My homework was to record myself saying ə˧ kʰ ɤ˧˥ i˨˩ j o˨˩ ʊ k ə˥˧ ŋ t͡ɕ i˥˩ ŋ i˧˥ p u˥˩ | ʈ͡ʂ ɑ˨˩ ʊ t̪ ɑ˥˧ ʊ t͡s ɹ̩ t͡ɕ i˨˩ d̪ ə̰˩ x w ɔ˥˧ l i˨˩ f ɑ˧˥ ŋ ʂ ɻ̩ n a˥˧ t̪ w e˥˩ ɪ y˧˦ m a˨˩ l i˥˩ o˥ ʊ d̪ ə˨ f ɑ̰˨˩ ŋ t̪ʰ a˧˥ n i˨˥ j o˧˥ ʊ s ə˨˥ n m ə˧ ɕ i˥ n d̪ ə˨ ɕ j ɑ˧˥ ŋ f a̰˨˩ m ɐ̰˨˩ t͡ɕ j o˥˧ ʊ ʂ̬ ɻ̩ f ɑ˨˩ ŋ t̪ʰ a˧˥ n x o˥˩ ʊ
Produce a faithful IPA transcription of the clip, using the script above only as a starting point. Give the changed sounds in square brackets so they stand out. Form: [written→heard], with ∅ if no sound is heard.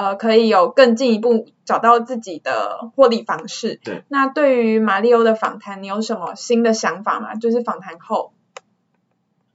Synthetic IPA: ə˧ kʰ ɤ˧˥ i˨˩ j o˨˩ ʊ k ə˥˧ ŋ t͡ɕ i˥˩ ŋ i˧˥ p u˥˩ | ʈ͡ʂ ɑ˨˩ ʊ t̪ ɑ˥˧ ʊ t͡s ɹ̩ t͡ɕ i˨˩ d̪ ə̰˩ x w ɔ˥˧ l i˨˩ f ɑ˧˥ ŋ ʂ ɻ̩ n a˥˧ t̪ w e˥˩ ɪ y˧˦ m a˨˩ l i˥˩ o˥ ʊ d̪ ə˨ f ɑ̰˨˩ ŋ t̪ʰ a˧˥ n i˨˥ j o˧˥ ʊ [s→ʂ] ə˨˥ n m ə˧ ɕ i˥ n d̪ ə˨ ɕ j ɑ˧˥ ŋ f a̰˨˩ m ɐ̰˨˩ t͡ɕ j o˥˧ ʊ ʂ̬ ɻ̩ f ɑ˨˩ ŋ t̪ʰ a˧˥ n x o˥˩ ʊ